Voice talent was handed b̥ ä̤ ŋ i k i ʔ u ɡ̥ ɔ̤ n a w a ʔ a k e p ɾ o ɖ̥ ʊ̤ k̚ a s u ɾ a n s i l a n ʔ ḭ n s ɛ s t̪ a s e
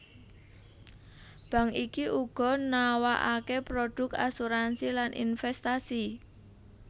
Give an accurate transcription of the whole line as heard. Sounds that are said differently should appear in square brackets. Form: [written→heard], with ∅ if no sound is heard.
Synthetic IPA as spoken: b̥ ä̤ ŋ i k i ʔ u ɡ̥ ɔ̤ n a w a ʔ a k e p ɾ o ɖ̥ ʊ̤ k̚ a s u ɾ a n s i l a n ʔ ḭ n [s→f] ɛ s t̪ a s [e→i]